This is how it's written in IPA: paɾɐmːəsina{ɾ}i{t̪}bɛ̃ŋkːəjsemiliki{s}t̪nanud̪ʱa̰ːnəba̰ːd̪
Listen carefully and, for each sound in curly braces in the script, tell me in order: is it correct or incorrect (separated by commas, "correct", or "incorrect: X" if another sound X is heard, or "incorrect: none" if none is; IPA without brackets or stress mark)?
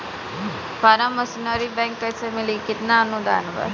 correct, incorrect: none, incorrect: none